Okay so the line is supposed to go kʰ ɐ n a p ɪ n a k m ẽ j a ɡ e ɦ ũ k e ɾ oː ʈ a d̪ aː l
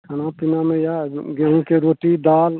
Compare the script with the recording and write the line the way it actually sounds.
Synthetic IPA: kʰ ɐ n a p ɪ n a m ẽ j a ɡ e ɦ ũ k e ɾ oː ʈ i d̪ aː l

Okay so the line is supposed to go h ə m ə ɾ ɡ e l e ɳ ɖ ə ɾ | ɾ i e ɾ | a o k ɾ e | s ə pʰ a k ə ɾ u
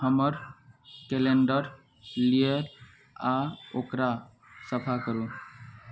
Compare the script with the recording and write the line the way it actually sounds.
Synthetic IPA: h ə m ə ɾ k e l e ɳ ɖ ə ɾ | l i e ɾ | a o k ɾ a | s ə pʰ a k ə ɾ u

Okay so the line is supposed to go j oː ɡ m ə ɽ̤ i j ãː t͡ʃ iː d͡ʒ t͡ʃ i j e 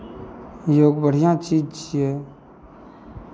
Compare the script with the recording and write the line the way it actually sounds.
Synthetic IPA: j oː ɡ b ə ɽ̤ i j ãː t͡ʃ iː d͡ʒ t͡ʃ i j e

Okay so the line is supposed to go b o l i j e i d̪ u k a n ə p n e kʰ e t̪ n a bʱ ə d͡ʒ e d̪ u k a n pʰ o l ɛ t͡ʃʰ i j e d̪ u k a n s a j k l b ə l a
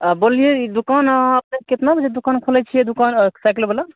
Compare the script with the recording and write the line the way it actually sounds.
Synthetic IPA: b o l i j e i d̪ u k a n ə p n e k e t̪ n a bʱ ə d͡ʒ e d̪ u k a n kʰ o l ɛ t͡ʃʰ i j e d̪ u k a n s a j k l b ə l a

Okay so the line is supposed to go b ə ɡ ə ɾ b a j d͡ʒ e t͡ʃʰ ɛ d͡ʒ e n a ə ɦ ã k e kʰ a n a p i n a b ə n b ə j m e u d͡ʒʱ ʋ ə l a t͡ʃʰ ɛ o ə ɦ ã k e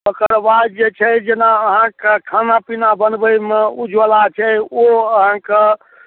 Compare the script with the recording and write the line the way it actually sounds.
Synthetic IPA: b ə k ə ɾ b a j d͡ʒ e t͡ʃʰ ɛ d͡ʒ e n a ə ɦ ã k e kʰ a n a p i n a b ə n b ə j m e u d͡ʒʱ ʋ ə l a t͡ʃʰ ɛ o ə ɦ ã k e

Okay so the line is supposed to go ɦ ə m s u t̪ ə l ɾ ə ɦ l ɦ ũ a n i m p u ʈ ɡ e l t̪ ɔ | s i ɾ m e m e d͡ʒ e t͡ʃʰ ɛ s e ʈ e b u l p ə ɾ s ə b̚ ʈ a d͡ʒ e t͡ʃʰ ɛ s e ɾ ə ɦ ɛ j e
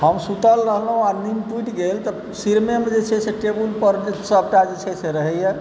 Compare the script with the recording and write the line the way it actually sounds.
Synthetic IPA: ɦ ə m s u t̪ ə l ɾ ə ɦ l ɦ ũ a n i m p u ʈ ɡ e l t̪ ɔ | s i ɾ m e m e d͡ʒ e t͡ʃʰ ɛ s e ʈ e b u l p ə ɾ s ə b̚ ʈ a d͡ʒ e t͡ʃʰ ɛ s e ɾ ə ɦ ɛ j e

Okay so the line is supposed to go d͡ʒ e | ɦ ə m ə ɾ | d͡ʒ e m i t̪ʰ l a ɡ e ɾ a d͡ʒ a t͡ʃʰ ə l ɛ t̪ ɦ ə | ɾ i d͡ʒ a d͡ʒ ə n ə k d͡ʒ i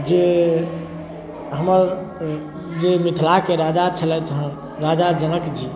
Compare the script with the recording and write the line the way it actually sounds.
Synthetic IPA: d͡ʒ e | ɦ ə m ə ɾ | d͡ʒ e m i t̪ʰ l a k e ɾ a d͡ʒ a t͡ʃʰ ə l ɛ t̪ ɦ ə | ɾ a d͡ʒ a d͡ʒ ə n ə k d͡ʒ i

